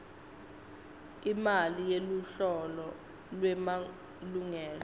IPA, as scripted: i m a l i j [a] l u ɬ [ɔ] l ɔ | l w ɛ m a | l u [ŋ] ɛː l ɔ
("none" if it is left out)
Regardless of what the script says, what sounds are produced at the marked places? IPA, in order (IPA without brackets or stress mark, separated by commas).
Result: e, ɔ, ŋ